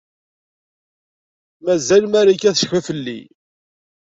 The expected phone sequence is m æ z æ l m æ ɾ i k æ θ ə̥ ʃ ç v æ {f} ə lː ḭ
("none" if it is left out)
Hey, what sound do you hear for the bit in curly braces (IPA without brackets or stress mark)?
f